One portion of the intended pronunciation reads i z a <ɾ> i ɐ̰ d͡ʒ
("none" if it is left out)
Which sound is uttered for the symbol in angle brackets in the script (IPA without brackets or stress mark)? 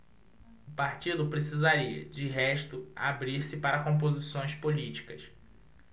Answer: ɾ